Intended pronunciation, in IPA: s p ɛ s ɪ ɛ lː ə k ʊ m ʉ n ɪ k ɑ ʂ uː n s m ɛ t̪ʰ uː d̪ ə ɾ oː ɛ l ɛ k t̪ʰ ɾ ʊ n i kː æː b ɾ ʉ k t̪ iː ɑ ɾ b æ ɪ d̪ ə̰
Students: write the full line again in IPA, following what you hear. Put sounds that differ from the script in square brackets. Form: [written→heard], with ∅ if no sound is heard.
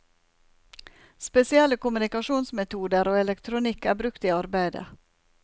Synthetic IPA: s p ɛ s ɪ ɛ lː ə k ʊ m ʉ n ɪ k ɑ ʂ uː n s m ɛ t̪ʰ uː d̪ ə ɾ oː ɛ l ɛ k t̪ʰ ɾ ʊ n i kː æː b ɾ ʉ k t̪ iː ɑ ɾ b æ ɪ d̪ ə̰